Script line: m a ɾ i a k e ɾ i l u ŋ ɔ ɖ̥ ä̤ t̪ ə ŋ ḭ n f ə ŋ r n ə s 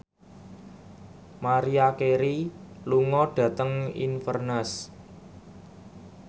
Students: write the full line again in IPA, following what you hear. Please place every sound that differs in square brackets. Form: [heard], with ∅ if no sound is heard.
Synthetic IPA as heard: m a ɾ i a k e ɾ i l u ŋ ɔ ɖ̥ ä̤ t̪ ə ŋ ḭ n f ə [∅] r n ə s